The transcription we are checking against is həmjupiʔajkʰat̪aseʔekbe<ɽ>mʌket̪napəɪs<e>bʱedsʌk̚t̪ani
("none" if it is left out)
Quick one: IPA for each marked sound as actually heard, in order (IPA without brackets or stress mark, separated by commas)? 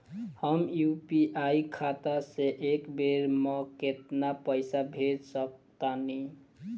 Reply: ɾ, a